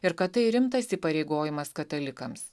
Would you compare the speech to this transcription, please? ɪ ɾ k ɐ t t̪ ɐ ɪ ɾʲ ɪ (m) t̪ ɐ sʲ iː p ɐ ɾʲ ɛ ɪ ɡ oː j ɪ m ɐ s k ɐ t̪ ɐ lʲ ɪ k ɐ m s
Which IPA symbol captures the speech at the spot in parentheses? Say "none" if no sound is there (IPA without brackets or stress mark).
m